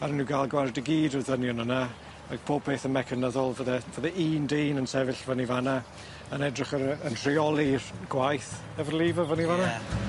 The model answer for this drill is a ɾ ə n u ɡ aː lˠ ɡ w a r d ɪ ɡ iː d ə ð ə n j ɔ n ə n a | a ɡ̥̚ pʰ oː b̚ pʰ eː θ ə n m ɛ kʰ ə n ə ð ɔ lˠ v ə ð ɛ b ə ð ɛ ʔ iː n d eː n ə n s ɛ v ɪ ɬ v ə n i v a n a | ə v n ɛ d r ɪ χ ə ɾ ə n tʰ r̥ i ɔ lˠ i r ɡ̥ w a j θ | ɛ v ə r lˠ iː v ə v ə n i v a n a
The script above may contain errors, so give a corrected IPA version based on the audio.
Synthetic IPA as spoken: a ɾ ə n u ɡ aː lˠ ɡ w a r d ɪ ɡ iː d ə ð ə n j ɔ n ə n a | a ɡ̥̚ pʰ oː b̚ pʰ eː θ ə n m ɛ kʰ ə n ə ð ɔ lˠ v ə ð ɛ v ə ð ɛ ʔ iː n d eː n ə n s ɛ v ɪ ɬ v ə n i v a n a | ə n ɛ d r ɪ χ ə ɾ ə n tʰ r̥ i ɔ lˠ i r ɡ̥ w a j θ | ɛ v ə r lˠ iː v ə v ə n i v a n a